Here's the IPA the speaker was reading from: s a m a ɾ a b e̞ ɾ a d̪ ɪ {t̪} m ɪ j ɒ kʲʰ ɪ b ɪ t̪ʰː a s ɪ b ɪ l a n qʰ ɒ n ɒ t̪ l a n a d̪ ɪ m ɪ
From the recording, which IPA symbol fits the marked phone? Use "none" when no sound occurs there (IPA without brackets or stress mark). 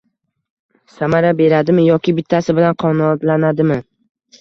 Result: none